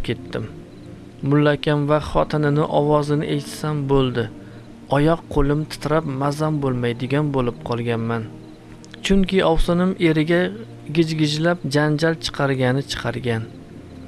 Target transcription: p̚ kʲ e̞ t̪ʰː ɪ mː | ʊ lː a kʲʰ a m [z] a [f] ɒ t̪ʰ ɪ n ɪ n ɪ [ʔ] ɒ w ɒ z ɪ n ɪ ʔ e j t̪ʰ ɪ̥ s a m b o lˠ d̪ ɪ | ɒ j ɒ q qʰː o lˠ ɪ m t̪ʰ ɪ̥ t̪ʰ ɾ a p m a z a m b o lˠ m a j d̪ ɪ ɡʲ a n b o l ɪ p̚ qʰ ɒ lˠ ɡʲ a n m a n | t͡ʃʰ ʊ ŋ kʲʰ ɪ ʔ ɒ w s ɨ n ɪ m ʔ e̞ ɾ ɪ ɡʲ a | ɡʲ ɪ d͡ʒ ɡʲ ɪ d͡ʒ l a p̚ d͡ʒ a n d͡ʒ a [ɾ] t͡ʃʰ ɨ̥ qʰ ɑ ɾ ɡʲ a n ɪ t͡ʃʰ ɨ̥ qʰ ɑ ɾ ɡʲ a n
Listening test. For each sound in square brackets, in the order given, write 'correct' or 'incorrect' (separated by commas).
incorrect, incorrect, correct, incorrect